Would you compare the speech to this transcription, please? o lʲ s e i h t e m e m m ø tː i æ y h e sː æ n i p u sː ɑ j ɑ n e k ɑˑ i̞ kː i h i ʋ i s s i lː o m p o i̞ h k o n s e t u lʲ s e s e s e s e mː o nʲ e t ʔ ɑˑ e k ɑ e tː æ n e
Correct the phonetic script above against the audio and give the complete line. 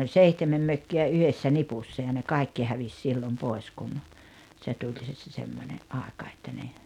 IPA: o lʲ s e i h t e m e m m ø kː i æ y h e sː æ n i p u sː ɑ j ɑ n e k ɑˑ i̞ kː i h æ ʋ i s s i lː o m p o i̞ s k u n s e t u lʲ s e s e s e s e mː o nʲ e ʔ ʔ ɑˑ e k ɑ e tː æ n e